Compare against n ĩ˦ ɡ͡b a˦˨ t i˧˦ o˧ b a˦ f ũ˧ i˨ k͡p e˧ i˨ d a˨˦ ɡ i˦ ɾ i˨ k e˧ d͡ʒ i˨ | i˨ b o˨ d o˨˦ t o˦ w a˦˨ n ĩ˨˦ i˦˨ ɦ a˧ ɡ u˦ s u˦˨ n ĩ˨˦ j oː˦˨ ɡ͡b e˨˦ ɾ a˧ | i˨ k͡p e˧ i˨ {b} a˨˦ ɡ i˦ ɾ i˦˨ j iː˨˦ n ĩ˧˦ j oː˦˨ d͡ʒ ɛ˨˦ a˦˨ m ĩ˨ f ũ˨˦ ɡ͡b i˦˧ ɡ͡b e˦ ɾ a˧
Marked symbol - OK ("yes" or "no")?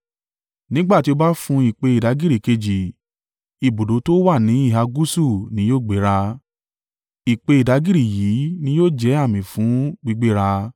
no